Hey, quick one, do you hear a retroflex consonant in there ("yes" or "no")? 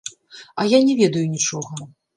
yes